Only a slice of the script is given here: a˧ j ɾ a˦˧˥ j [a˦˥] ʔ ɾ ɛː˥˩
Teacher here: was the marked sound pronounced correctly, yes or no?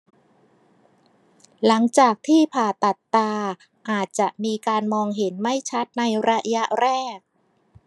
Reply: yes